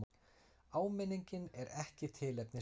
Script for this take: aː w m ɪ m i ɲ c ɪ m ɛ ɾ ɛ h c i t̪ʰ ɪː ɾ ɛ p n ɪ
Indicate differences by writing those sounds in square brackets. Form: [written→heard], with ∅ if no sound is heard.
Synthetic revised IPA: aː w m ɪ [m→n] i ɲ c ɪ [m→n] ɛ ɾ ɛ h c [i→ɪ] t̪ʰ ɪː [ɾ→l] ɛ p n ɪ